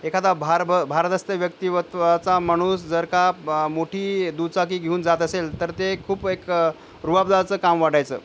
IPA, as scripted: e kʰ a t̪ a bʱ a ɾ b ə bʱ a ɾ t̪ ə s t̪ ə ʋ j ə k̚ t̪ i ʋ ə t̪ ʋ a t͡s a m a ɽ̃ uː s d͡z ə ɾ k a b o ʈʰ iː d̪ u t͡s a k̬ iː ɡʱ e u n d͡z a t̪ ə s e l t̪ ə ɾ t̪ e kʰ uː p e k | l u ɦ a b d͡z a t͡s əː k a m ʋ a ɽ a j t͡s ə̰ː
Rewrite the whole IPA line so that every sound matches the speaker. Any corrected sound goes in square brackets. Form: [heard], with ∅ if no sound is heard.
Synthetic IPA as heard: e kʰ a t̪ a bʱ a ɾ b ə bʱ a ɾ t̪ ə s t̪ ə ʋ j ə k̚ t̪ i ʋ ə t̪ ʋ a t͡s a m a ɽ̃ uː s d͡z ə ɾ k a [m] o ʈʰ iː d̪ u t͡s a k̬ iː ɡʱ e [uː] n d͡z a t̪ ə s e l t̪ ə ɾ t̪ e kʰ uː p e k | [ɾ] u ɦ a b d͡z a t͡s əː k a m ʋ a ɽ a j t͡s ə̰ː